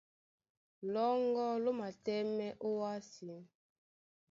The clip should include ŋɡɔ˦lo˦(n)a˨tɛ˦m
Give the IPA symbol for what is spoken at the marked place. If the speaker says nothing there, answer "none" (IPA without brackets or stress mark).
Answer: m